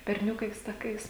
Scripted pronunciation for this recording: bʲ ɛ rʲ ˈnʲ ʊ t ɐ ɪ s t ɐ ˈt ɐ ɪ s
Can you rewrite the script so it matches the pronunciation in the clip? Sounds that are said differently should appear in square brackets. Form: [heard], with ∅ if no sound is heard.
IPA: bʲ ɛ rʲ ˈnʲ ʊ [k] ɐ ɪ s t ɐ [ˈk] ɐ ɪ s

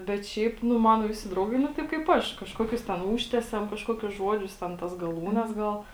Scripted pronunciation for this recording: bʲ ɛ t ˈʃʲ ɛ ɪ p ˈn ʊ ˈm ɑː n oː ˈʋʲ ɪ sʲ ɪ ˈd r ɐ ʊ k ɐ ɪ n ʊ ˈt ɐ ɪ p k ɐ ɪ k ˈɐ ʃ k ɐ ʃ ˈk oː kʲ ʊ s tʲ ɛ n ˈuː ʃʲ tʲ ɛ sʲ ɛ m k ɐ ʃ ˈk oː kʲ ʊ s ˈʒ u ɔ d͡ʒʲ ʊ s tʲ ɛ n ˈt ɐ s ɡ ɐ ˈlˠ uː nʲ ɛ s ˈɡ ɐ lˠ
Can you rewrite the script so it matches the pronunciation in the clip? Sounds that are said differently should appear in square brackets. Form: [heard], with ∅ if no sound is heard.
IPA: bʲ ɛ t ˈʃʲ ɛ ɪ p ˈn ʊ ˈm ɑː n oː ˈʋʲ ɪ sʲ ɪ ˈd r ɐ ʊ [ɡ] ɐ ɪ n ʊ ˈt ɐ ɪ p k ɐ ɪ [p] ˈɐ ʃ k ɐ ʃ ˈk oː kʲ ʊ s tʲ ɛ n ˈuː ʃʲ tʲ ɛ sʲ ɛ m k ɐ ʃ ˈk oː kʲ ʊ s ˈʒ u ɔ d͡ʒʲ ʊ s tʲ ɛ n ˈt ɐ s ɡ ɐ ˈlˠ uː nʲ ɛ s ˈɡ ɐ lˠ

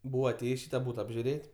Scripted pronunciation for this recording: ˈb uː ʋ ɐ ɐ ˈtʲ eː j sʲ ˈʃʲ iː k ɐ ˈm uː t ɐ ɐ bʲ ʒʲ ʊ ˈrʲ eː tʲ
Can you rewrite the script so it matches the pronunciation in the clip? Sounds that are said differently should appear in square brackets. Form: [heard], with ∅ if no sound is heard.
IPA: ˈb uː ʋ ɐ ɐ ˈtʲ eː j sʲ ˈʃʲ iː [t] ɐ [ˈb] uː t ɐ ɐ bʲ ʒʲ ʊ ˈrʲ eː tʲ

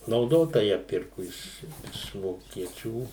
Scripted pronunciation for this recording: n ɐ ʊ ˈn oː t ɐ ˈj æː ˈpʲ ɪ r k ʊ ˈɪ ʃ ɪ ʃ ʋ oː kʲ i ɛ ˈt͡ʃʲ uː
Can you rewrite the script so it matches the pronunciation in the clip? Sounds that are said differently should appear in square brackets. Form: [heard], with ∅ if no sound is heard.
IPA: n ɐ ʊ [ˈd] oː t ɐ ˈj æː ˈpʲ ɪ r k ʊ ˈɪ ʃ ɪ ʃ ʋ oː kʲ i ɛ ˈt͡ʃʲ uː

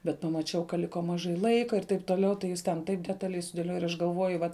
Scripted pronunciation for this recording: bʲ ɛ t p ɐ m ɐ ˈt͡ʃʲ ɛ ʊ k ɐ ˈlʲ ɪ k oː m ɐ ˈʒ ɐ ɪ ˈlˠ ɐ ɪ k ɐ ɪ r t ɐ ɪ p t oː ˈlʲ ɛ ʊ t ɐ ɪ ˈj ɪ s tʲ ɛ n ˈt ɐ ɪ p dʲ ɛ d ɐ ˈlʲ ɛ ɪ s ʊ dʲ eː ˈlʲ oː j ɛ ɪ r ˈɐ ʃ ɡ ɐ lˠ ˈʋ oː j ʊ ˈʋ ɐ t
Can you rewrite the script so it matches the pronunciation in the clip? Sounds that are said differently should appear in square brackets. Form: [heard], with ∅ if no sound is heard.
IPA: bʲ ɛ t p ɐ m ɐ ˈt͡ʃʲ ɛ ʊ k ɐ ˈlʲ ɪ k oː m ɐ ˈʒ ɐ ɪ ˈlˠ ɐ ɪ k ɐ ɪ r t ɐ ɪ p t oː ˈlʲ ɛ ʊ t ɐ ɪ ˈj ɪ s tʲ ɛ n ˈt ɐ ɪ p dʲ ɛ [t] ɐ ˈlʲ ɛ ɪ s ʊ dʲ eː ˈlʲ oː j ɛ ɪ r ˈɐ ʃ ɡ ɐ lˠ ˈʋ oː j ʊ ˈʋ ɐ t

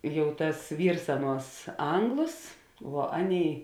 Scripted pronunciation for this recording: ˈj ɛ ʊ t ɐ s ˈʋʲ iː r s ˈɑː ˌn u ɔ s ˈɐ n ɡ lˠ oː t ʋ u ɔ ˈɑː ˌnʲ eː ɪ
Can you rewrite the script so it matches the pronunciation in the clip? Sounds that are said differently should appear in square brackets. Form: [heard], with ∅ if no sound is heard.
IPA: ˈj ɛ ʊ t ɐ s ˈʋʲ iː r s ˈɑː ˌn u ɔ s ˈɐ [ŋ] ɡ lˠ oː [s] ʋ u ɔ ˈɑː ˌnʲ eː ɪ

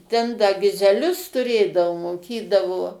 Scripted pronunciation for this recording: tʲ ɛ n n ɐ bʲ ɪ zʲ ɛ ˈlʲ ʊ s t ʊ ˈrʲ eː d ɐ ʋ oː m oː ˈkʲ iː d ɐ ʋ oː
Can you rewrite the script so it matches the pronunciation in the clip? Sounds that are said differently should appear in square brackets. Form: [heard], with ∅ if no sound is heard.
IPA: tʲ ɛ n [d] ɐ [ɡʲ] ɪ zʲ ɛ ˈlʲ ʊ s t ʊ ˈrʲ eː d ɐ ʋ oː m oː ˈkʲ iː d ɐ ʋ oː

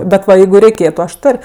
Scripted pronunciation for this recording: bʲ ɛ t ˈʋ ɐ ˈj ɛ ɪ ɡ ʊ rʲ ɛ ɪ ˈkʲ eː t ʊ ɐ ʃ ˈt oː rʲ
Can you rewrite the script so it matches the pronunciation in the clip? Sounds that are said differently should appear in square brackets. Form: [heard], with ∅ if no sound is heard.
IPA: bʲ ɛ t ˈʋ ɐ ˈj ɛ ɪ ɡ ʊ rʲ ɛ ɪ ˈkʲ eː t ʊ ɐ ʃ ˈt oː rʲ

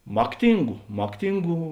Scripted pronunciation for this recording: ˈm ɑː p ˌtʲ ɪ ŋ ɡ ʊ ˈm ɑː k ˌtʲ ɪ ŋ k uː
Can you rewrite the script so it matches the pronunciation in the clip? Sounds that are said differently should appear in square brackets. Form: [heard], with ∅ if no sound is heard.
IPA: ˈm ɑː [k] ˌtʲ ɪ ŋ ɡ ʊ ˈm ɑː k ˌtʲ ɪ ŋ [ɡ] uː

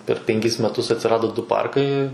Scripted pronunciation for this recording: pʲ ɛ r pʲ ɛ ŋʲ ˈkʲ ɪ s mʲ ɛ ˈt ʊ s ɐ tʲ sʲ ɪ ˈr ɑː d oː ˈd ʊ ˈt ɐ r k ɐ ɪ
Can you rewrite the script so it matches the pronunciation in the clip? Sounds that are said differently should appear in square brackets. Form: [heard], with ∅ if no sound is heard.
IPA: pʲ ɛ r pʲ ɛ ŋʲ ˈkʲ ɪ s mʲ ɛ ˈt ʊ s ɐ tʲ sʲ ɪ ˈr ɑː d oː ˈd ʊ [ˈp] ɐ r k ɐ ɪ

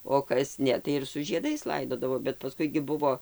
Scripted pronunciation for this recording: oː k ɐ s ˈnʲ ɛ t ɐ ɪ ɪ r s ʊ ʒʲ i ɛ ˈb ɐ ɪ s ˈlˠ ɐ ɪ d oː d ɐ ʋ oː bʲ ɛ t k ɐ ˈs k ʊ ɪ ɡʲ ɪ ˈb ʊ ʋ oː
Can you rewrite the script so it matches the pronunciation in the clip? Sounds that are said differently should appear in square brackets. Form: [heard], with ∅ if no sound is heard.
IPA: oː k ɐ s ˈnʲ ɛ t ɐ ɪ ɪ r s ʊ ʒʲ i ɛ [ˈd] ɐ ɪ s ˈlˠ ɐ ɪ d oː d ɐ ʋ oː bʲ ɛ t [p] ɐ ˈs k ʊ ɪ ɡʲ ɪ ˈb ʊ ʋ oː

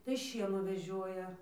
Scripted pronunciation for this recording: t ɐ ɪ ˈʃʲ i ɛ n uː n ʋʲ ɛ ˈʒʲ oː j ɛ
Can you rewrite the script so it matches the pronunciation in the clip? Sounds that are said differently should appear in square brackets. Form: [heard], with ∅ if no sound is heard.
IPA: t ɐ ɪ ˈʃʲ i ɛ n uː [∅] ʋʲ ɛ ˈʒʲ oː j ɛ

